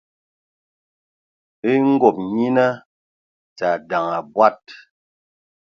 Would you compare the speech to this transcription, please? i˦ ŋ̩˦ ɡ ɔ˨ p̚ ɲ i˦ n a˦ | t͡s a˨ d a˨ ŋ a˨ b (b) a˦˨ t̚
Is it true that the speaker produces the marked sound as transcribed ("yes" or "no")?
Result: no